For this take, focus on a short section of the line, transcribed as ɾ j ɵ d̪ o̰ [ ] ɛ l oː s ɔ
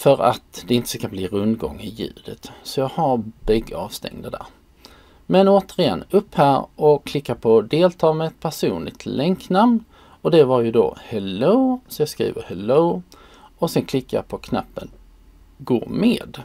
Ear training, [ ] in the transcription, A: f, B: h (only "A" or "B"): B